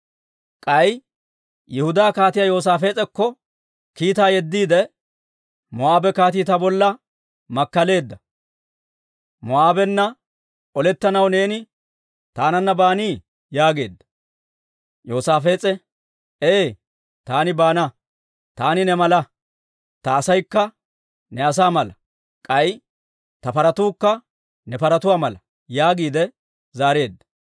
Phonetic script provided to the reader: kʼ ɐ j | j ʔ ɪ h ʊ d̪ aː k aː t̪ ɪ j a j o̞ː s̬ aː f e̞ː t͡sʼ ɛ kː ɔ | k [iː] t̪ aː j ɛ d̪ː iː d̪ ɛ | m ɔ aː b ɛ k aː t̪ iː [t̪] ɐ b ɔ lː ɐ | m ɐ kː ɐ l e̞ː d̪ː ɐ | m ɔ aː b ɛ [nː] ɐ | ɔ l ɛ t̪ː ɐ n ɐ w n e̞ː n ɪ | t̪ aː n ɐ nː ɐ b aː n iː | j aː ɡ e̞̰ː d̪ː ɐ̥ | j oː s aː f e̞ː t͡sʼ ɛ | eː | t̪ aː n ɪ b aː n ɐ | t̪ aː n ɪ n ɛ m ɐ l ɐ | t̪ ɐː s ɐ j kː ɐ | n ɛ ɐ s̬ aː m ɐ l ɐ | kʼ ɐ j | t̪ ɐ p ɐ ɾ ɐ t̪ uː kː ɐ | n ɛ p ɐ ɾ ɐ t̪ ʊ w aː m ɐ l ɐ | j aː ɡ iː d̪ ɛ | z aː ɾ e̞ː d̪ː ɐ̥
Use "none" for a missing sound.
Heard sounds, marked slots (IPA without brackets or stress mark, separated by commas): iː, t̪, nː